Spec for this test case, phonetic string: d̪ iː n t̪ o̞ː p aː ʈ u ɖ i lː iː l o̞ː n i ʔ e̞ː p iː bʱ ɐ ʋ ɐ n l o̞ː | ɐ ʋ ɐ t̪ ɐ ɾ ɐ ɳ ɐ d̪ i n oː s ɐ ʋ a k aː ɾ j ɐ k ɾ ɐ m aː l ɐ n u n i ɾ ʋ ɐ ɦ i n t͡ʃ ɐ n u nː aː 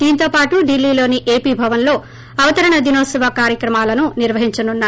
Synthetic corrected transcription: d̪ iː n t̪ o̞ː p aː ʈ u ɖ i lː iː l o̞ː n i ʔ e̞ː p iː bʱ ɐ ʋ ɐ n l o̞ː | ɐ ʋ ɐ t̪ ɐ ɾ ɐ ɳ ɐ d̪ i n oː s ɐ ʋ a k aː ɾ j ɐ k ɾ ɐ m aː l ɐ n u n i ɾ ʋ ɐ ɦ i ɲ t͡ʃ ɐ n u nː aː

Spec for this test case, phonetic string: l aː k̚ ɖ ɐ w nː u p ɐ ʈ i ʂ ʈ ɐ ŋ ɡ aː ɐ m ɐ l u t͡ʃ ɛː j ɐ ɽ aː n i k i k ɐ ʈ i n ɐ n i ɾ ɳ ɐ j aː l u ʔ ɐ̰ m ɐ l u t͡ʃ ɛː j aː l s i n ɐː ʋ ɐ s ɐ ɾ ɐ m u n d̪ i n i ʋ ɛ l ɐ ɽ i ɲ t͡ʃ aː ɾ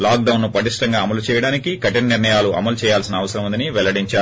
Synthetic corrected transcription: l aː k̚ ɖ ɐ w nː u p ɐ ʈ i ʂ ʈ ɐ ŋ ɡ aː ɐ m ɐ l u t͡ʃ ɛː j ɐ ɽ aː n i k i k ɐ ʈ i n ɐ n i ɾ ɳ ɐ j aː l u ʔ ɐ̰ m ɐ l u t͡ʃ ɛː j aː l s i n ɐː ʋ ɐ s ɐ ɾ ɐ m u n d̪ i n i ʋ ɛ l ɐ ɽ i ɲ t͡ʃ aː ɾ

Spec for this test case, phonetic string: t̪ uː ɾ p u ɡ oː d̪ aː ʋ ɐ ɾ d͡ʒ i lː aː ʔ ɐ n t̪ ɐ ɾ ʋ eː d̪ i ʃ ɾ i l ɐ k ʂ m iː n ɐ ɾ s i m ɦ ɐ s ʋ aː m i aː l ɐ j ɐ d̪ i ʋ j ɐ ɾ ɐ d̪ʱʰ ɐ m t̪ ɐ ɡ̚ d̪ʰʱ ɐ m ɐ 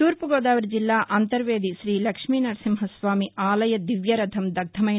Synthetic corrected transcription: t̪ uː ɾ p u ɡ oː d̪ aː ʋ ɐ ɾ d͡ʒ i lː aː ʔ ɐ n t̪ ɐ ɾ ʋ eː d̪ i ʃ ɾ iː l ɐ k ʂ m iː n ɐ ɾ s i m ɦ ɐ s ʋ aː m i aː l ɐ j ɐ d̪ i ʋ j ɐ ɾ ɐ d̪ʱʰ ɐ m d̪ ɐ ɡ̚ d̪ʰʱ ɐ m ɐ

